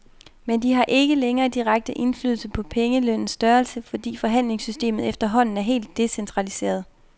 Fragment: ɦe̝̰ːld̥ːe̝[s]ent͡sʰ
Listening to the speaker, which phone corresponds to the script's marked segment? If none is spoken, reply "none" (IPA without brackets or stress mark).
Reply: s